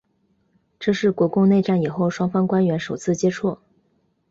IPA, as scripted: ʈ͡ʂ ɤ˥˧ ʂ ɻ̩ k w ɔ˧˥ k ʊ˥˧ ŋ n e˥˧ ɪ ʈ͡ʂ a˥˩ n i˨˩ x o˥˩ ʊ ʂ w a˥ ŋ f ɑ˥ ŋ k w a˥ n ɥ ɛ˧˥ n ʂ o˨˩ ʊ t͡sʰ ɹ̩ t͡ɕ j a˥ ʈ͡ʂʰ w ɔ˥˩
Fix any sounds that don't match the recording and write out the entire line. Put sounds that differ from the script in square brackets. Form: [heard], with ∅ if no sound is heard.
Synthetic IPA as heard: ʈ͡ʂ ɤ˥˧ ʂ ɻ̩ k w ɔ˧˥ k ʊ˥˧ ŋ n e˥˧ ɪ ʈ͡ʂ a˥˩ n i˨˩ x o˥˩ ʊ ʂ w [ɑ˥] ŋ f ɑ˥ ŋ k w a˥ n ɥ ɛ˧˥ n ʂ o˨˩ ʊ t͡sʰ ɹ̩ t͡ɕ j [ɛ˥] ʈ͡ʂʰ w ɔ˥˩

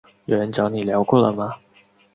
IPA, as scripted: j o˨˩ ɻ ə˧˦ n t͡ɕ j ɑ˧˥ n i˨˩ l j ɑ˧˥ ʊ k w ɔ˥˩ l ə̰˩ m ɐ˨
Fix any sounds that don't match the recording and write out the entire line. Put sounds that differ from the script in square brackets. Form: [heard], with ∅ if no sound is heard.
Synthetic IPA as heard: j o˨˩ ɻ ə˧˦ n t͡ɕ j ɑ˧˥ n i˨˩ l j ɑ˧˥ ʊ k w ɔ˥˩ l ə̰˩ m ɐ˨

